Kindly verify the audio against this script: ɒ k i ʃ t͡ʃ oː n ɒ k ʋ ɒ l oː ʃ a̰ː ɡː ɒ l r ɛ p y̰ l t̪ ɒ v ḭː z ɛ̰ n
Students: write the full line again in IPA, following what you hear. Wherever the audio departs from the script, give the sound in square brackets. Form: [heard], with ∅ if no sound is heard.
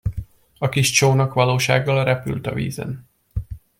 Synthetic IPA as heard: ɒ k i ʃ t͡ʃ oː n ɒ k ʋ ɒ l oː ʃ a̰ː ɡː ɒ l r ɛ p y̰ l t̪ ɒ v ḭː z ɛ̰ n